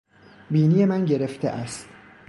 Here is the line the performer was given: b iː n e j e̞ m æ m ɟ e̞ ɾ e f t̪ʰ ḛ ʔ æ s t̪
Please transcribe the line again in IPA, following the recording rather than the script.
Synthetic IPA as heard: b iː n i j e̞ m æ n ɟ e̞ ɾ e f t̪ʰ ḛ ʔ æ s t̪